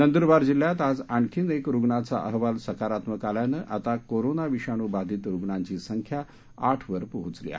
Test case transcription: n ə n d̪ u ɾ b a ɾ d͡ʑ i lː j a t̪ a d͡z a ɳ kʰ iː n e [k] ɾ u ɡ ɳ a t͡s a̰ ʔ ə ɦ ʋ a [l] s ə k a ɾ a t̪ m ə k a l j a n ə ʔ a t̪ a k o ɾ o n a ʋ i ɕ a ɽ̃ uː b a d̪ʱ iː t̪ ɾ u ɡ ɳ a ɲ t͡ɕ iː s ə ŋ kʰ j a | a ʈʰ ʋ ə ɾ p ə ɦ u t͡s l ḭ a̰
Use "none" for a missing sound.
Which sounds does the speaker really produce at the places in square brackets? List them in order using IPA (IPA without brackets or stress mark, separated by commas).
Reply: k, l